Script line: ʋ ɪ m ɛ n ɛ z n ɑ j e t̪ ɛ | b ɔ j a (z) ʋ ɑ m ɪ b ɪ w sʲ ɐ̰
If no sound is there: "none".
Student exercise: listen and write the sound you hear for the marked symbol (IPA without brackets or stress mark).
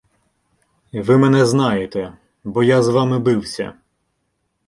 z